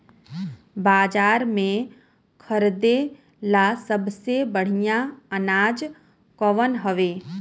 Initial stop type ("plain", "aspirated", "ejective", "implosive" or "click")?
plain